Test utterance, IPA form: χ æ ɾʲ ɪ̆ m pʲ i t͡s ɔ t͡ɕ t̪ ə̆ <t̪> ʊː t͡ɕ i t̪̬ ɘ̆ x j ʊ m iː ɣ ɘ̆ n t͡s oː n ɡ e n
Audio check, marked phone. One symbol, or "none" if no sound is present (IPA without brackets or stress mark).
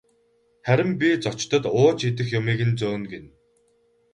t̪